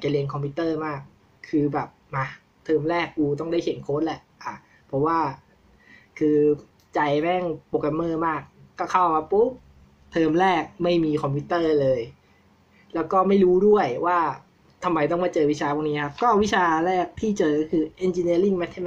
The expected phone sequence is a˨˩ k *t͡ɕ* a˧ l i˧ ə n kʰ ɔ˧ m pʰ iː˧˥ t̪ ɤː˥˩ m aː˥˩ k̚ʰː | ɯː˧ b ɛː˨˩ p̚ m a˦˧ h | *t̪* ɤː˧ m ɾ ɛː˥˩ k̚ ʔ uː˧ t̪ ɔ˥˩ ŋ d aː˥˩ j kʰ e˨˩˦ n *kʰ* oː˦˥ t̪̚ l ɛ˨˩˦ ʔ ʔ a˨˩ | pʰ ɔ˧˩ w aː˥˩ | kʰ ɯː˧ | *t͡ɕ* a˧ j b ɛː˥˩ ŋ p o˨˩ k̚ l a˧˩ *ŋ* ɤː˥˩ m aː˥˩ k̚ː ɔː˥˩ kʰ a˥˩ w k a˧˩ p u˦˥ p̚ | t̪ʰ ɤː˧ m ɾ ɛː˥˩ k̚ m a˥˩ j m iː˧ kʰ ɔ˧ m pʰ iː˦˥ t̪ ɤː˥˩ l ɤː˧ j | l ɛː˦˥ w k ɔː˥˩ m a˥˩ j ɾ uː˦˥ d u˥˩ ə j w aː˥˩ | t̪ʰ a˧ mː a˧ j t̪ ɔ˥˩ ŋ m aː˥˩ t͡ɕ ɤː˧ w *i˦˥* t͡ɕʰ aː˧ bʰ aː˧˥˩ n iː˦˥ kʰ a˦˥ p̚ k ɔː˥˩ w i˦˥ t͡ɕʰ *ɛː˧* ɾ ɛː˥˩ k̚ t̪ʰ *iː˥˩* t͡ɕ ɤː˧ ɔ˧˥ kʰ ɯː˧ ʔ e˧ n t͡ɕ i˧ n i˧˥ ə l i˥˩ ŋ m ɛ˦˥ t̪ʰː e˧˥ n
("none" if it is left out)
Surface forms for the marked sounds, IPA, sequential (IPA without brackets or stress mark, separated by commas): t͡ɕ, t̪ʰ, kʰ, t͡ɕ, m, i˦˥, aː˧, iː˥˩